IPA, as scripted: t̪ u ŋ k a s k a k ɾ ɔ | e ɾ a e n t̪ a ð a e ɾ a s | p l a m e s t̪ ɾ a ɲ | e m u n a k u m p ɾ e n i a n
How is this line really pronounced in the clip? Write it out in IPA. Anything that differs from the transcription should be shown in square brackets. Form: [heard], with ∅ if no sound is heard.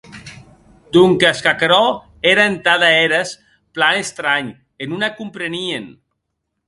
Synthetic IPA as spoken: [d̪] u ŋ k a s k a k ɾ ɔ | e ɾ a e n t̪ a ð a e ɾ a s | p l a [n] e s t̪ ɾ a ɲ | e [n] u n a k u m p ɾ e n i [e] n